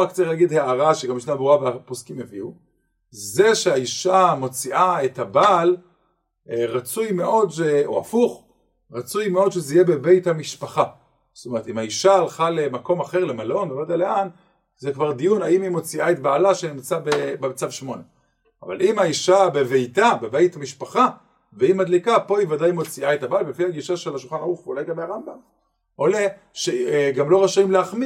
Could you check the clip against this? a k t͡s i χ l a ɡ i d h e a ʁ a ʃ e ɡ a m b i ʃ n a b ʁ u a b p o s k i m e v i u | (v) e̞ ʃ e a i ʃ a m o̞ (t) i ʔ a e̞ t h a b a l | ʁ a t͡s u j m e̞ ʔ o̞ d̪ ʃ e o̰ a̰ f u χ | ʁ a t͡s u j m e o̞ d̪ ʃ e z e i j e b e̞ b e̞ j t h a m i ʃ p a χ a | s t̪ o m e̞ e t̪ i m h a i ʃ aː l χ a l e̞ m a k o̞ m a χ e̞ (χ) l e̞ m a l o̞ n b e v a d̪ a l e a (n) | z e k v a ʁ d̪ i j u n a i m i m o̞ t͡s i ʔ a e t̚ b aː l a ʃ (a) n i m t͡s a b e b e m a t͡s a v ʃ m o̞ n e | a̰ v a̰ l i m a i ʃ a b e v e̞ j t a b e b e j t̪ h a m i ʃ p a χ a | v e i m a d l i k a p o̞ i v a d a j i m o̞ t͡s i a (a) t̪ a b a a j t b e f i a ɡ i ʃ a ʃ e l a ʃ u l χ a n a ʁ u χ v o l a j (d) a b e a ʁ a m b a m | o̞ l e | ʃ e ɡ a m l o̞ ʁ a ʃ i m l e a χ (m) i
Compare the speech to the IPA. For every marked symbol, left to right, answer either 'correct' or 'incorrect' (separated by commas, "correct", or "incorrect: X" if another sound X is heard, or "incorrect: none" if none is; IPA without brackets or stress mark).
incorrect: z, incorrect: t͡s, incorrect: ʁ, correct, incorrect: e, incorrect: e, incorrect: ɡ, correct